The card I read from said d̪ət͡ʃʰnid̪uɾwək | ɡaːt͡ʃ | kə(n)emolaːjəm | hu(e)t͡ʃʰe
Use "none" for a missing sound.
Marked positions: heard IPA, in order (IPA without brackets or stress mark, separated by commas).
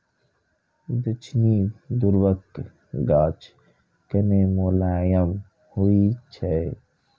n, i